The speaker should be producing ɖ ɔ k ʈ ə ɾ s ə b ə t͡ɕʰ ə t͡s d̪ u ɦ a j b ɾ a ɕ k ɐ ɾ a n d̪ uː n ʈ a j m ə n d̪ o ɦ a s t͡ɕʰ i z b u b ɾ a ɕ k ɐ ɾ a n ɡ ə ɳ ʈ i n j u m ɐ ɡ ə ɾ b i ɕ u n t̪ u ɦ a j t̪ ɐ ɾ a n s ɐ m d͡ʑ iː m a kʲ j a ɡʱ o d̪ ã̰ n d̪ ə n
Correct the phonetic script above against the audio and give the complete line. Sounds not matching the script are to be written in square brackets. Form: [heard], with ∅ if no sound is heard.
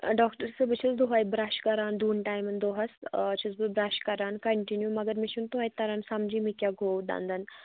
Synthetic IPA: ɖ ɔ k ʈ ə ɾ s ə b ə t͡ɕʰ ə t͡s d̪ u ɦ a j b ɾ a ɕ k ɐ ɾ a n d̪ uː n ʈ a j m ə n d̪ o ɦ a s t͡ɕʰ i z b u b ɾ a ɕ k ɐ ɾ a n [k] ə ɳ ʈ i n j u m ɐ ɡ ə ɾ [m] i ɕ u n t̪ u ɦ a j t̪ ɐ ɾ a n s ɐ m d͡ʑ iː m [i] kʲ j a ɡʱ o d̪ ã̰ n d̪ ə n